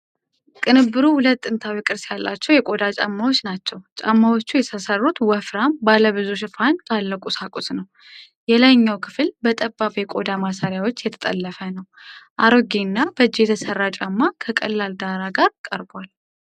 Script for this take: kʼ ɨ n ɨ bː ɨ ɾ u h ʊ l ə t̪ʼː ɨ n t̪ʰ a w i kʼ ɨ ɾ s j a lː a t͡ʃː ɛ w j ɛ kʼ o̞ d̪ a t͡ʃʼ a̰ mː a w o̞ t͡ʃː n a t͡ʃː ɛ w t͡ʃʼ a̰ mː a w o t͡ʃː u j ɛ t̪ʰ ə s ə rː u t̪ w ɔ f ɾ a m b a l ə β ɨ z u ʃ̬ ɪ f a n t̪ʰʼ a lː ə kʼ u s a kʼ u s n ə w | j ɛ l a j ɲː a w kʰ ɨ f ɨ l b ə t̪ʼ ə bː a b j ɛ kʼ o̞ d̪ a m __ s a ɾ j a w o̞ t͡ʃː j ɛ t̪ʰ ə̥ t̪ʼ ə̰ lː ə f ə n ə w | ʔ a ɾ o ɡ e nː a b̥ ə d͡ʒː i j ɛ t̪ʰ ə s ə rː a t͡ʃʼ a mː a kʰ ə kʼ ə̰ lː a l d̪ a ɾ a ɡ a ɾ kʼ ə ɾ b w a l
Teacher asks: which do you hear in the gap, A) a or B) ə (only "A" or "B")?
A